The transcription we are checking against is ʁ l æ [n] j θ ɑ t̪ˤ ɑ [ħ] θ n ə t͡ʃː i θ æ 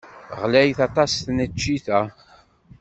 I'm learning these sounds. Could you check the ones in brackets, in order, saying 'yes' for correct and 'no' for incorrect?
no, no

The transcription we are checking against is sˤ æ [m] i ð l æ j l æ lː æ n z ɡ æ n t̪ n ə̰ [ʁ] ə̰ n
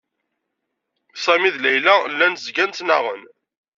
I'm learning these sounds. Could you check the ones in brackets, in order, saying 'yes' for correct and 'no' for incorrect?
yes, yes

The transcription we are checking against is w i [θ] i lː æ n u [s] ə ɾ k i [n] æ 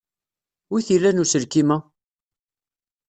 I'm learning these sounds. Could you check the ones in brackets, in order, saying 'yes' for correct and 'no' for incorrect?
yes, yes, no

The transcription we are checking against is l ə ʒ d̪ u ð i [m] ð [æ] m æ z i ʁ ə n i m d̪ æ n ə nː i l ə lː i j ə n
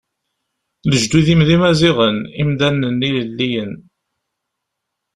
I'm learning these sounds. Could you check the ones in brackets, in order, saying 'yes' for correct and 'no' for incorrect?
yes, no

